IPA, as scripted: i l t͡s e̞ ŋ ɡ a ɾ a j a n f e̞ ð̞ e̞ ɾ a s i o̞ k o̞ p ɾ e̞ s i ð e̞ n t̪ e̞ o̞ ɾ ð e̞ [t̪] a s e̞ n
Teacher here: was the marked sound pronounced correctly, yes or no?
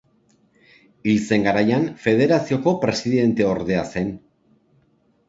no